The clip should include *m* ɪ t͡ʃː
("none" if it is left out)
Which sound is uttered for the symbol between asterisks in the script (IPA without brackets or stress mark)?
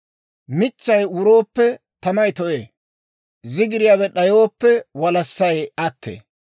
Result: m